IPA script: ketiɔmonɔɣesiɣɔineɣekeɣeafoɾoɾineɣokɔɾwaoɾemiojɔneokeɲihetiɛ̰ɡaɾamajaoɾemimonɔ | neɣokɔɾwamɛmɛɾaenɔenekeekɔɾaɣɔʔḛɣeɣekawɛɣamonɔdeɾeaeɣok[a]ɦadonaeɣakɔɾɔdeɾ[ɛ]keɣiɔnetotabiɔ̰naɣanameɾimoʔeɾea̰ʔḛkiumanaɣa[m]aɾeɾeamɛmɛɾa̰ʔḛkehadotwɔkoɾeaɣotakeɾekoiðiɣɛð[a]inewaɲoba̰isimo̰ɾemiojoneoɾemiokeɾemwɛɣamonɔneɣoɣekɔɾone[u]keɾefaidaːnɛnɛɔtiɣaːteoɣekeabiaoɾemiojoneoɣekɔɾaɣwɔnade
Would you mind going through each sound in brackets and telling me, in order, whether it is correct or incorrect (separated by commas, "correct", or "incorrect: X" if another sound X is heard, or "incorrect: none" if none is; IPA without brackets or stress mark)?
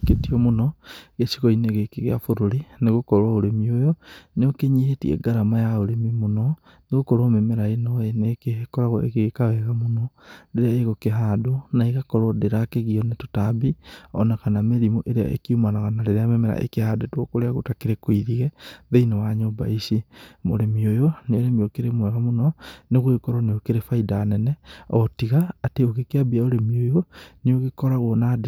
incorrect: e, incorrect: a, incorrect: n, incorrect: e, incorrect: o